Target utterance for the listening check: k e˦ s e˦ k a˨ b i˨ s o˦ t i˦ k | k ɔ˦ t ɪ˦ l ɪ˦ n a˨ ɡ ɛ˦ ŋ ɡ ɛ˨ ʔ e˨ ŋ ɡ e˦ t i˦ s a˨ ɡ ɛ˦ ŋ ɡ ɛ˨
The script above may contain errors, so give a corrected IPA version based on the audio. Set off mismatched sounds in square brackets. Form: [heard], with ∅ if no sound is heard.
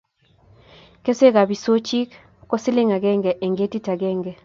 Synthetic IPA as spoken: k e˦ s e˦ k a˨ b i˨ s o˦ [t͡ʃ] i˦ k | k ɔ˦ [s] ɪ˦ l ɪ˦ [ŋ] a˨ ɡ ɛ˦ ŋ ɡ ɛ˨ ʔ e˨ ŋ ɡ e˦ t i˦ [t] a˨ ɡ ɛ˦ ŋ ɡ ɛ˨